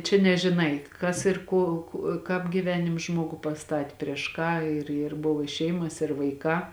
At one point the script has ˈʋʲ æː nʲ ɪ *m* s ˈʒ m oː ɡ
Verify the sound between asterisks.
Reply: correct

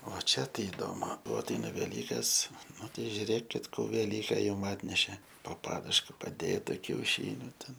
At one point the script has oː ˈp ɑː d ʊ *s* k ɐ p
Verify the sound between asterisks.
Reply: incorrect: ʃ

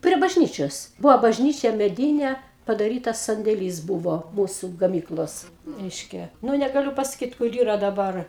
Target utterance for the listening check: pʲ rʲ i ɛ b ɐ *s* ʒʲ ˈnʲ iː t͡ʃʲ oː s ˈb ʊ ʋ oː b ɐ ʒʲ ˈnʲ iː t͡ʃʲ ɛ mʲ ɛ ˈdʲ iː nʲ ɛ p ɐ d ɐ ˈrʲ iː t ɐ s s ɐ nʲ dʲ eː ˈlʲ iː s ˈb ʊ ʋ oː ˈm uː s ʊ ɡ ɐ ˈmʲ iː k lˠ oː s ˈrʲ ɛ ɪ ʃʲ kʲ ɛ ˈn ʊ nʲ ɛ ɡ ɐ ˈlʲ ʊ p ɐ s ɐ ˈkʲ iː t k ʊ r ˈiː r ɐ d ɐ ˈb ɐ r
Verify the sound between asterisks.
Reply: incorrect: none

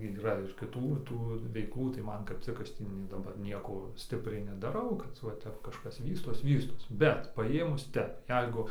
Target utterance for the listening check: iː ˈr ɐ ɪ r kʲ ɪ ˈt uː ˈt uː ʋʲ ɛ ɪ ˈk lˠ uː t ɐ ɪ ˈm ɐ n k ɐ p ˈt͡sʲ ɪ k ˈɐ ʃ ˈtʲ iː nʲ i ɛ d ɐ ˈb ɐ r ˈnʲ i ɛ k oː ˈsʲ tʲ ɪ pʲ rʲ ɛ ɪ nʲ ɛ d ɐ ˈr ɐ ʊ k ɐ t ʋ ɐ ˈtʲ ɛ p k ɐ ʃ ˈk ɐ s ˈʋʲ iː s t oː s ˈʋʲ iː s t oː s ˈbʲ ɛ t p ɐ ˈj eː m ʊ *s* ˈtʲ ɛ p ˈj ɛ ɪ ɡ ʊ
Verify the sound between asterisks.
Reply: correct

